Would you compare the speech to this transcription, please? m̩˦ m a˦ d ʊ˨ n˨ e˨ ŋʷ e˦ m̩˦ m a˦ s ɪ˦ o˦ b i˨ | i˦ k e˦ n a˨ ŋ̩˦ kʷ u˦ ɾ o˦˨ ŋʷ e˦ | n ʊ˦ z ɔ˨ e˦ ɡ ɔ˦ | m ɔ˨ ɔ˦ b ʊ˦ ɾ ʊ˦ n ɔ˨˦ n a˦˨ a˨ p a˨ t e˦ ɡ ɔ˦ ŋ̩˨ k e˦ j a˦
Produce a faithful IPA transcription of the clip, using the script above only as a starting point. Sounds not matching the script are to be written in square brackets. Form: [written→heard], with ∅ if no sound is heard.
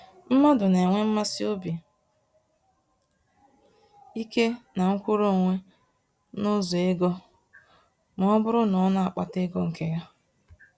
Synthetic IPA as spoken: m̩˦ m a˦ d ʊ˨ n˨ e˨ ŋʷ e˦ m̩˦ m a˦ s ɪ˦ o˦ b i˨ | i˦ k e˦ n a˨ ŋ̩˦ kʷ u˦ ɾ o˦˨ ŋʷ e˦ | n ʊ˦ z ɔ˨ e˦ ɡ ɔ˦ | m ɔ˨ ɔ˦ b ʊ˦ ɾ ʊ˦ n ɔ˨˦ n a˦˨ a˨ [p→k͡p] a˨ t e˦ ɡ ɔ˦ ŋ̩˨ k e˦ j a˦